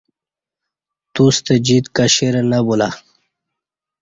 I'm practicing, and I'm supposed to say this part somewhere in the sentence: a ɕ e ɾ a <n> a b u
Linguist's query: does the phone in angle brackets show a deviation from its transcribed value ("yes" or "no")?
no